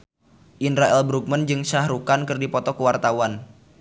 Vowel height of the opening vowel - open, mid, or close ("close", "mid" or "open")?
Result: close